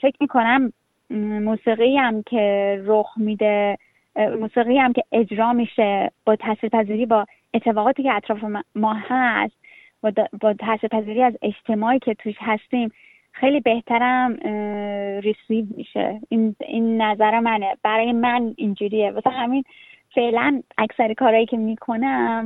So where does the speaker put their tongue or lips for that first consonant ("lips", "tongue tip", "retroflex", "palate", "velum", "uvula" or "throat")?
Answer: lips